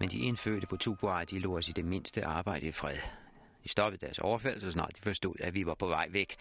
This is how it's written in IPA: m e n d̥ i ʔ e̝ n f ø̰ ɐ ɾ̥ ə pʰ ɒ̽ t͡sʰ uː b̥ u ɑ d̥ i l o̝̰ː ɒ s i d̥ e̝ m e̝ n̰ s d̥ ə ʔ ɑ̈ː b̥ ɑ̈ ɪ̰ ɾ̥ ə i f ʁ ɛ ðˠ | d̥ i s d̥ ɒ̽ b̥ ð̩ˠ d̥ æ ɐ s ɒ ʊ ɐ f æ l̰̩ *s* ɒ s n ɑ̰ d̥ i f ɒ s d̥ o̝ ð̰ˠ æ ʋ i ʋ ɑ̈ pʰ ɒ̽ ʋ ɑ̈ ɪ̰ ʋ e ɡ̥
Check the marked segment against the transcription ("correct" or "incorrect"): correct